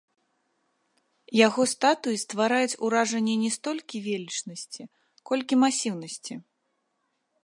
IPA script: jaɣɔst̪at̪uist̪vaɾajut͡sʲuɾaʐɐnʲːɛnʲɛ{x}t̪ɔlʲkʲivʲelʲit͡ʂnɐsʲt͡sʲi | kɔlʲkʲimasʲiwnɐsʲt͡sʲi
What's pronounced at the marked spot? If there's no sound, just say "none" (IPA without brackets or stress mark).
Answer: s